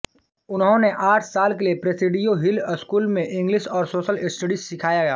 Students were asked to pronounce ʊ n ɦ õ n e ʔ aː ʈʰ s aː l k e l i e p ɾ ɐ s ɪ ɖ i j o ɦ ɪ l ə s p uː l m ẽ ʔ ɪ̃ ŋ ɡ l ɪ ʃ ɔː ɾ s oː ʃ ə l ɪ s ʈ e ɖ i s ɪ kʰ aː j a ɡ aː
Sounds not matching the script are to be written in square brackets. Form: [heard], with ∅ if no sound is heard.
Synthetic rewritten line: ʊ n ɦ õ n e ʔ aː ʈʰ s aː l k e l i e p ɾ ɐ s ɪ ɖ i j o ɦ ɪ l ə s [k] uː l m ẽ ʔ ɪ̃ ŋ ɡ l ɪ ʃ ɔː ɾ s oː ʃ ə l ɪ s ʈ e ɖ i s ɪ kʰ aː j a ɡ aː